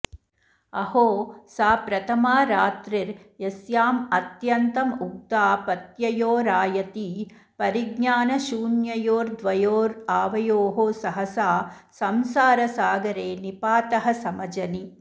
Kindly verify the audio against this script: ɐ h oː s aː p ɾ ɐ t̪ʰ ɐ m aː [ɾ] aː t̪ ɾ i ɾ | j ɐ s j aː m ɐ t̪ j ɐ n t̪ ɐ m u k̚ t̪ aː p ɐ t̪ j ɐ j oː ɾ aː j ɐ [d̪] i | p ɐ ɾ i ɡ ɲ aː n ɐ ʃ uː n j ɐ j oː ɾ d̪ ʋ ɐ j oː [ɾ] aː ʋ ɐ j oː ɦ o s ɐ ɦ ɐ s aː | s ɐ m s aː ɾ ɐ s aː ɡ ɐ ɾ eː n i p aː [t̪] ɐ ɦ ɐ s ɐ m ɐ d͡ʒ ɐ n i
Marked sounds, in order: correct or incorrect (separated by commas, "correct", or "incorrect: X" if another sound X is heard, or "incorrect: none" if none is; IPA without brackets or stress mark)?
correct, incorrect: t̪, correct, correct